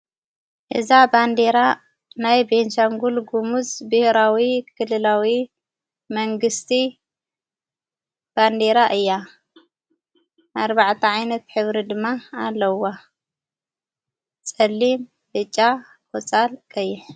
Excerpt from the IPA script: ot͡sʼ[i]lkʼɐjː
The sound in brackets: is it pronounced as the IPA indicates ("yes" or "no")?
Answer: no